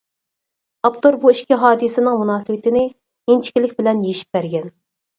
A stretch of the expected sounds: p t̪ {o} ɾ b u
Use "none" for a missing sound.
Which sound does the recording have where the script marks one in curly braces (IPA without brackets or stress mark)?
o